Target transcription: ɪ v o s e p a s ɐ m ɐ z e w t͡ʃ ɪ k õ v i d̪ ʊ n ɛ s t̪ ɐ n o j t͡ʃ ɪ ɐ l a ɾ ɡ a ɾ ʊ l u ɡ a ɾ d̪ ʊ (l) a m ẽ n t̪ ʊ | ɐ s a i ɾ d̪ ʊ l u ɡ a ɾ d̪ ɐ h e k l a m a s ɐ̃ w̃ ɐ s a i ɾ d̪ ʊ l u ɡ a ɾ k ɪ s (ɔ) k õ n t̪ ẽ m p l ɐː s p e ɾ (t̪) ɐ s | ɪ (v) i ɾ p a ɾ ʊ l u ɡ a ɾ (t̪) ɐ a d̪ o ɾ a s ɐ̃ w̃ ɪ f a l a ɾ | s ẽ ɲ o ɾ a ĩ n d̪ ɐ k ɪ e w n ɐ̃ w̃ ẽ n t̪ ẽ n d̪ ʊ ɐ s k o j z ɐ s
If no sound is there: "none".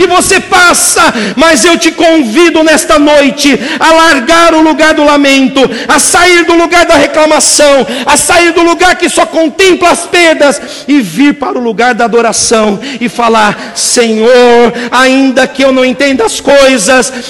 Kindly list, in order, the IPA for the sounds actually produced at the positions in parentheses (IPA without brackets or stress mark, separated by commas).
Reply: l, ɔ, d̪, v, d̪